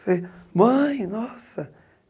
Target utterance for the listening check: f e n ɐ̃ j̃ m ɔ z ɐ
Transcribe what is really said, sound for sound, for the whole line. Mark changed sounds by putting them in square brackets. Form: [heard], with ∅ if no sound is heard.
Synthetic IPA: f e [m] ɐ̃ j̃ [n] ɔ [s] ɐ

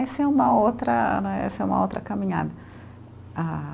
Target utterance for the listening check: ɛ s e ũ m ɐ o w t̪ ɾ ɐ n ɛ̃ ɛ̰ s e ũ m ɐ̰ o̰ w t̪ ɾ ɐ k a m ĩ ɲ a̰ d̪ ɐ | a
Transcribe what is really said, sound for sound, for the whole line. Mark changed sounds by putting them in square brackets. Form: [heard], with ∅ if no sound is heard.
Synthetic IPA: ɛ s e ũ m ɐ o w t̪ ɾ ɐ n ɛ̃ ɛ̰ s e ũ m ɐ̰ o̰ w t̪ ɾ ɐ k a m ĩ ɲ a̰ d̪ ɐ | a

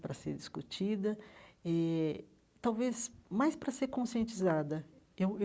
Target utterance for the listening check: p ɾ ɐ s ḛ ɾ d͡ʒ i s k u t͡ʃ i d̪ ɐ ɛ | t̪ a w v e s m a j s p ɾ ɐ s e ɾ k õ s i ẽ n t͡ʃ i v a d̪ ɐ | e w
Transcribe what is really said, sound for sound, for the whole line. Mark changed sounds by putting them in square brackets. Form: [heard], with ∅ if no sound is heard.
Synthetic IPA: p ɾ ɐ s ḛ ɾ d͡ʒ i s k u t͡ʃ i d̪ ɐ ɛ | t̪ a w v e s m a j s p ɾ ɐ s e ɾ k õ s i ẽ n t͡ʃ i [z] a d̪ ɐ | e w

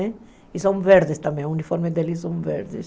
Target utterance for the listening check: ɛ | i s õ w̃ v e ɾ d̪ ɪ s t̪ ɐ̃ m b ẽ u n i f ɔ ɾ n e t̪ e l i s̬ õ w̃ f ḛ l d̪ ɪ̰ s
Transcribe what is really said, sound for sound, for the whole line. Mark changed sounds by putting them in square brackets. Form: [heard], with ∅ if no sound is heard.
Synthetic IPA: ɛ | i s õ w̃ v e ɾ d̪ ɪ s t̪ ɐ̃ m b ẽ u n i f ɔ ɾ [m] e [d̪] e l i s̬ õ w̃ [v] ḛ [ɾ] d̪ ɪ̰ s

